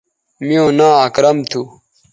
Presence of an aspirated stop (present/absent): present